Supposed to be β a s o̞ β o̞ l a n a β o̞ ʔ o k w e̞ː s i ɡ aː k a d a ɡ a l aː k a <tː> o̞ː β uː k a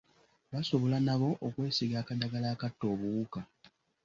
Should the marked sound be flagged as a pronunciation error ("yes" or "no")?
no